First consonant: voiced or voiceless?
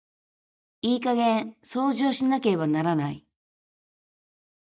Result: voiceless